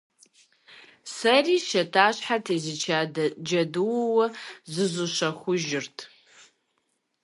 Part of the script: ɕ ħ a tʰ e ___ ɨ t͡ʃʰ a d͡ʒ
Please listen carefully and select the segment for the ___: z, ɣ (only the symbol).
z